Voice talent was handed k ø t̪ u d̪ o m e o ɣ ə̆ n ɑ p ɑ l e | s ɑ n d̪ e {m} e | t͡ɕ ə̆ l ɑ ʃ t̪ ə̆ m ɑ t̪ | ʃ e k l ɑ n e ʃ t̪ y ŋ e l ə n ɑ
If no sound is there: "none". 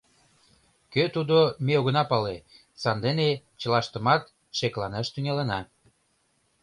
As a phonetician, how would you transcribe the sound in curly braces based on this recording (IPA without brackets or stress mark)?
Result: n